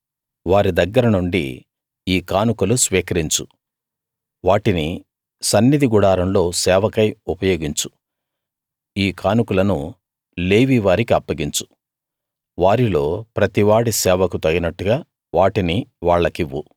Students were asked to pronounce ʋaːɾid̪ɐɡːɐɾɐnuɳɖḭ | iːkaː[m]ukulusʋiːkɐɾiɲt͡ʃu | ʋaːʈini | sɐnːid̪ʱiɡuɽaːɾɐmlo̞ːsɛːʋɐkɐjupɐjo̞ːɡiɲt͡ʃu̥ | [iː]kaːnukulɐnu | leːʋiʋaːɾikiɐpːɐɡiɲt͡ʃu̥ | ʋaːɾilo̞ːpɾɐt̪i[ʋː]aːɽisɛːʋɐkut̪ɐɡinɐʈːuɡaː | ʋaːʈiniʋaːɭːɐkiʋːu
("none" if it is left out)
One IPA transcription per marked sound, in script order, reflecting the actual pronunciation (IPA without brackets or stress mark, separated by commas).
n, iː, ʋ